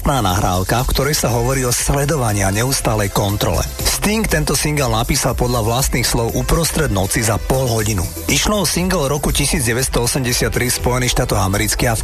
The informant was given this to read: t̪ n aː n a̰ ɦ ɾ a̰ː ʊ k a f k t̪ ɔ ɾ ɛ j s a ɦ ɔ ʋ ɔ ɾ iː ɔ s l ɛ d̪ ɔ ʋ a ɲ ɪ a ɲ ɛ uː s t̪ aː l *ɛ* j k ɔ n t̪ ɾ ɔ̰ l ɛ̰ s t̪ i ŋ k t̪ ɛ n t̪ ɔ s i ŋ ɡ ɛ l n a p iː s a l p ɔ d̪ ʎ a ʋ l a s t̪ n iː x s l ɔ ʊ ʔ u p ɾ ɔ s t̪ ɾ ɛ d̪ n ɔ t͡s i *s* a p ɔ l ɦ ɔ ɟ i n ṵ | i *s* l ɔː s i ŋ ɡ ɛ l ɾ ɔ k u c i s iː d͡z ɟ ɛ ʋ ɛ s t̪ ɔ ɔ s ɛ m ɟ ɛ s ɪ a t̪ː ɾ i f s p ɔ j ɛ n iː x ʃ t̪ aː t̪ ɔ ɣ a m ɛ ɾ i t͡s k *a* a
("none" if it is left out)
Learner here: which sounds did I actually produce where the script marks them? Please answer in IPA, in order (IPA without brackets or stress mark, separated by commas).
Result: ɛ, z, ʃ, i